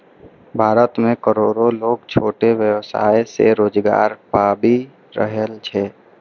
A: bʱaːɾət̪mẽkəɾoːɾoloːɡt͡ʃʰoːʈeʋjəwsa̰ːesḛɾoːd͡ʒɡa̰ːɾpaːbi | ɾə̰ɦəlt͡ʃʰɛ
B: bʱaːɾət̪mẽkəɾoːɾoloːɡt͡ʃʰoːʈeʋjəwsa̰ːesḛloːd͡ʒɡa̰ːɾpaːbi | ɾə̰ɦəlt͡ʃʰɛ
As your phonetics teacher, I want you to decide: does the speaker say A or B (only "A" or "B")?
A